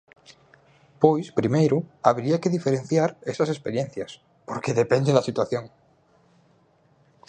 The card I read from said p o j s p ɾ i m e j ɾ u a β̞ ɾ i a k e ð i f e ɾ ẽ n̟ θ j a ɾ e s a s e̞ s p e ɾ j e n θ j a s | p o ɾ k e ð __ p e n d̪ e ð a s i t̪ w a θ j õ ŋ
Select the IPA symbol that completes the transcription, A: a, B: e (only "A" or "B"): B